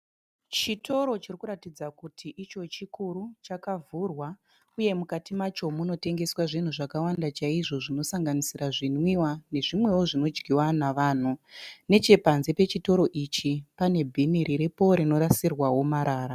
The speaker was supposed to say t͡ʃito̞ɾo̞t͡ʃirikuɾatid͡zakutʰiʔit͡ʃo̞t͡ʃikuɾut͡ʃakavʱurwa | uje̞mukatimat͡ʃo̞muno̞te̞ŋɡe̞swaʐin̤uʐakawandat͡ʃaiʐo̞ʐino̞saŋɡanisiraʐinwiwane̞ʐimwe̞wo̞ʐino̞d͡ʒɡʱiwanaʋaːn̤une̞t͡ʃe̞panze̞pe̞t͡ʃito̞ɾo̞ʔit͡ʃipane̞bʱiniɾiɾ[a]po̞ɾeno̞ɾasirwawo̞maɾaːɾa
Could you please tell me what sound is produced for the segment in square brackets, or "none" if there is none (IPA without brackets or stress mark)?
e